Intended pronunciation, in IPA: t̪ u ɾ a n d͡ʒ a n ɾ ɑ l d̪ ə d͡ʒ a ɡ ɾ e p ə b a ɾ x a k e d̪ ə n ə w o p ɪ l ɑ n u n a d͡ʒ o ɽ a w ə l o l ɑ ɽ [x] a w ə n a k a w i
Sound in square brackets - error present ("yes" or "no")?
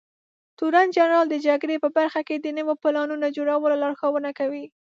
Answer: no